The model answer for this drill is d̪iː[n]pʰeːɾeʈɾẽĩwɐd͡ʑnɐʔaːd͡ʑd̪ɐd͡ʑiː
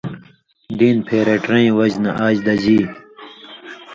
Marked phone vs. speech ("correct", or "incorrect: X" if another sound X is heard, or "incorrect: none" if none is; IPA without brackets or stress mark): correct